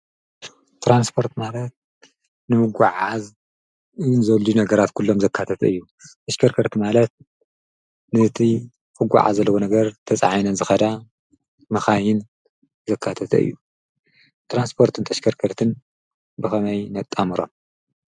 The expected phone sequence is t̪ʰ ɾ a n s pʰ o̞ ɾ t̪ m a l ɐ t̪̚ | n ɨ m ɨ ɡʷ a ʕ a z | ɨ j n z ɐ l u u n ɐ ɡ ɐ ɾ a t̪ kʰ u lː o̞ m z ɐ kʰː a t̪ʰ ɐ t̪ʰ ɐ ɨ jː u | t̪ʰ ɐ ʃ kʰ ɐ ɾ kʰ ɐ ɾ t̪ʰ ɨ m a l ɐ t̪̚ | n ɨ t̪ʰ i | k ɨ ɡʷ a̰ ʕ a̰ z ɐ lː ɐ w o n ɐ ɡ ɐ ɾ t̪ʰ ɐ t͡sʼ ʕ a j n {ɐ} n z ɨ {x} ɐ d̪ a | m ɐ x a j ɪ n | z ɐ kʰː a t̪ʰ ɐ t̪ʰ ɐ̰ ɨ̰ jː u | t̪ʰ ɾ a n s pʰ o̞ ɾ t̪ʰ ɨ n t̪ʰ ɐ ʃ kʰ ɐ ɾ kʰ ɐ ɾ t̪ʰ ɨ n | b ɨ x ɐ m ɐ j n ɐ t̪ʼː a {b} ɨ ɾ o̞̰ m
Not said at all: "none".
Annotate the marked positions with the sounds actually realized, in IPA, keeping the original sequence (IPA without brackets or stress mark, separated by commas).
ɐ, x, m